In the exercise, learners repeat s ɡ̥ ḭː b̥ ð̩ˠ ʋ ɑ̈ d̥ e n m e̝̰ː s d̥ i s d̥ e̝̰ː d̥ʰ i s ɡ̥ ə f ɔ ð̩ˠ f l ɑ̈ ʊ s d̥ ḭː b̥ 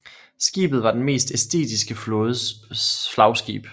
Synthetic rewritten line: s ɡ̥ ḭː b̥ ð̩ˠ ʋ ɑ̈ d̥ e n m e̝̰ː s d̥ e s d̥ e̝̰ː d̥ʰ i s ɡ̥ ə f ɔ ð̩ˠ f l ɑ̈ ʊ s ɡ̥ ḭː b̥